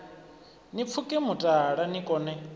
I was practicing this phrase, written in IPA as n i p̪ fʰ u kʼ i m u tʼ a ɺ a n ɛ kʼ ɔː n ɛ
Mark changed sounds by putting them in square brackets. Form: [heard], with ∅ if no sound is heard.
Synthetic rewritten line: n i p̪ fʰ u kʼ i m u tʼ a ɺ a n [i] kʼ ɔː n ɛ